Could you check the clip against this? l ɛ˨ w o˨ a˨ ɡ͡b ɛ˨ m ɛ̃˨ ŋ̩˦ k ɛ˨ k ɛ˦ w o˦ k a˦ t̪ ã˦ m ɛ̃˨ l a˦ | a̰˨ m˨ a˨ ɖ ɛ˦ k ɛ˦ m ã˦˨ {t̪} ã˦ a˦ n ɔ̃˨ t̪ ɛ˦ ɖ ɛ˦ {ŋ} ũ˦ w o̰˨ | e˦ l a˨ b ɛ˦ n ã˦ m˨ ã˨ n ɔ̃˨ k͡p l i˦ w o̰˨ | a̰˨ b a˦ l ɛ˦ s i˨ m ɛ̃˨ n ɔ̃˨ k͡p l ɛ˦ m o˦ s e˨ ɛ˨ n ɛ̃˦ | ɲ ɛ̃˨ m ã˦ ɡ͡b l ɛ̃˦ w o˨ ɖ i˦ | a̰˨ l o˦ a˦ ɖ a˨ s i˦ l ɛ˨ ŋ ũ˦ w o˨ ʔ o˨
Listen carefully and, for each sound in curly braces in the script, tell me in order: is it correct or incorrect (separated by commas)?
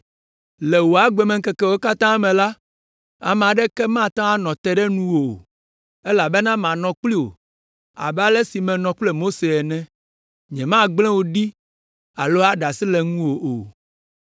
correct, incorrect